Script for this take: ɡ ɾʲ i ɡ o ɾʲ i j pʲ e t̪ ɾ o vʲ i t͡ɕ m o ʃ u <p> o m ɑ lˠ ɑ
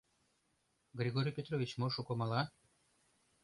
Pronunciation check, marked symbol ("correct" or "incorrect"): incorrect